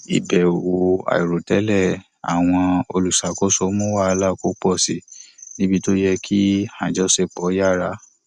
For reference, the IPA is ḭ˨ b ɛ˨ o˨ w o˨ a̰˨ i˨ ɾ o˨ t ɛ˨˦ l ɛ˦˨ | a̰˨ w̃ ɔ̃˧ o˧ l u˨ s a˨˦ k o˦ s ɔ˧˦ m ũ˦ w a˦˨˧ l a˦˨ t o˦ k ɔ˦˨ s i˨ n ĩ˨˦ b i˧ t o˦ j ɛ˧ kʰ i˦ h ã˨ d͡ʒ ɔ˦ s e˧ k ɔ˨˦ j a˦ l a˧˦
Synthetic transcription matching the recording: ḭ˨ b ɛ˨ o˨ w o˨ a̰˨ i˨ ɾ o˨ t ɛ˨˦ l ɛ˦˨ | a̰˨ w̃ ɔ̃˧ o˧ l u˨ s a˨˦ k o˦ s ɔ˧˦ m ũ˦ w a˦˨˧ l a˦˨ k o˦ k͡p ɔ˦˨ s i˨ n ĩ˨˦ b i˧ t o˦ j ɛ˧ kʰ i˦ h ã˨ d͡ʒ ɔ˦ s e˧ k͡p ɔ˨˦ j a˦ ɾ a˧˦